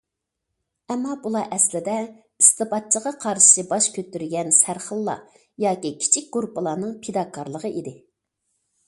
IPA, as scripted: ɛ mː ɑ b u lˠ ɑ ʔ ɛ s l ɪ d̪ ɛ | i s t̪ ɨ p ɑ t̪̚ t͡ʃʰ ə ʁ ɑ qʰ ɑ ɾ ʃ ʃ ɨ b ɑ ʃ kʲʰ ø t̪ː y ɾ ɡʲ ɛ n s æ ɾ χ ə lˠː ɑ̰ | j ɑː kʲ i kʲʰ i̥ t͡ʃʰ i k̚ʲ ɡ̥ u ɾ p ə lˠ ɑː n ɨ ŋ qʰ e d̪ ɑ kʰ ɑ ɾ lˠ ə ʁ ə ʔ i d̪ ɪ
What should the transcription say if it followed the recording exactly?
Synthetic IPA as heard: ɛ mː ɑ b u lˠ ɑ ʔ ɛ s l ɪ d̪ ɛ | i s t̪ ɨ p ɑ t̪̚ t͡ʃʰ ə ʁ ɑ qʰ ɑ ɾ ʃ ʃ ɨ b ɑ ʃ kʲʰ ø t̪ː y ɾ ɡʲ ɛ n s æ ɾ χ ə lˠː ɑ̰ | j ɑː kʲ i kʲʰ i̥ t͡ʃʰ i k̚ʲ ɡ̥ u ɾ p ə lˠ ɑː n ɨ ŋ pʰ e d̪ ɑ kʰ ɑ ɾ lˠ ə ʁ ə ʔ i d̪ ɪ